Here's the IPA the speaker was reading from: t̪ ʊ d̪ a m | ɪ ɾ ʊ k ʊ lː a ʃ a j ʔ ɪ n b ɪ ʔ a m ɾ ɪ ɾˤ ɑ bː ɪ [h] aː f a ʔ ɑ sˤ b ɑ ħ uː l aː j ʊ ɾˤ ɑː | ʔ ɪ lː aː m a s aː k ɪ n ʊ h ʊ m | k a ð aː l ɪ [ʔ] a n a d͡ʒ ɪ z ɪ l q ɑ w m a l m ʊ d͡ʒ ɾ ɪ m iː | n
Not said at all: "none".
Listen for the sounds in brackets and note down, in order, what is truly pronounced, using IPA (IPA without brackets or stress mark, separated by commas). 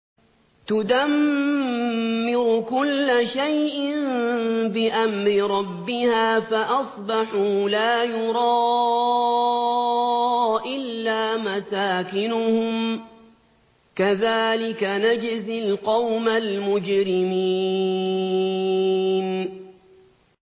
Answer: h, k